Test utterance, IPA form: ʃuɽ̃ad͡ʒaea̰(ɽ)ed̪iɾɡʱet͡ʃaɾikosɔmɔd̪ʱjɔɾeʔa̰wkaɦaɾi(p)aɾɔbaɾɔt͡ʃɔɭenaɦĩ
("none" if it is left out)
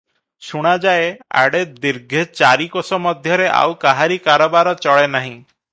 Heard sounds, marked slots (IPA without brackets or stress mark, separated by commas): ɽ, k